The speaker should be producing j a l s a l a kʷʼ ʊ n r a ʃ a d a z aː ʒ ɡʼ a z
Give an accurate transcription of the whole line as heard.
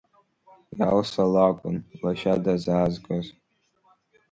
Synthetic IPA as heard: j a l s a l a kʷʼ ʊ n l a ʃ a d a z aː z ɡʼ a z